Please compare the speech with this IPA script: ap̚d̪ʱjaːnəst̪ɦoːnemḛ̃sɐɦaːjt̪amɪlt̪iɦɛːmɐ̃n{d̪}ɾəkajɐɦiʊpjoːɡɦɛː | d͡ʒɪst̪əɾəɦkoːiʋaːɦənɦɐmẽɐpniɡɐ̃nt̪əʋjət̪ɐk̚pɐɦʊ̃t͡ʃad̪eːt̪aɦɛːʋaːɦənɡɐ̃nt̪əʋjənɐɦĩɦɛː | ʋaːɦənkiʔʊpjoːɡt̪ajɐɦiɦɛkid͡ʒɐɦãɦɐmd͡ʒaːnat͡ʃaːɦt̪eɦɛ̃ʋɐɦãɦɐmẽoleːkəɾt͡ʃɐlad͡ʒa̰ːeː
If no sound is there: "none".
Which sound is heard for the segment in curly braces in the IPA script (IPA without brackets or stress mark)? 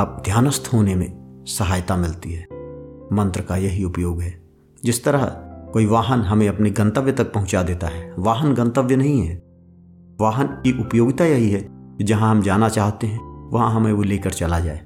t̪